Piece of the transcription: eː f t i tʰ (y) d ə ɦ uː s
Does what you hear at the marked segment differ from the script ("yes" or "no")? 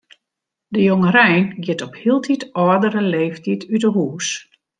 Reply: no